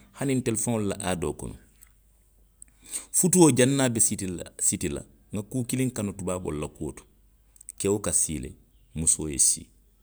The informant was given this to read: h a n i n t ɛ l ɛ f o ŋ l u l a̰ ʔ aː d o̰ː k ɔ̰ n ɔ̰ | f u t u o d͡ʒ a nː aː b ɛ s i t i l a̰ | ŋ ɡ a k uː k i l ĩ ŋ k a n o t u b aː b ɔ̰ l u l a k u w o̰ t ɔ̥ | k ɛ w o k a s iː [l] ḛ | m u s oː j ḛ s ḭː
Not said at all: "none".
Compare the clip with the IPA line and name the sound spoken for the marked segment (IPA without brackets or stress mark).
l